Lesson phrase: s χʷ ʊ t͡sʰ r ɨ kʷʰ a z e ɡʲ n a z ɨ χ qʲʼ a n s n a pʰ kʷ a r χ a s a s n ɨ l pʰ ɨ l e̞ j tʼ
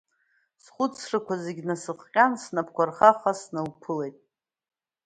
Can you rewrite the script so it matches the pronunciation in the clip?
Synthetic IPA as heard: s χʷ ʊ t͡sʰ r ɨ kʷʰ a z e ɡʲ n a s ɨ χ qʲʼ a n s n a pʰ kʷ a r χ a χ a s n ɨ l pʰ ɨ l e̞ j tʼ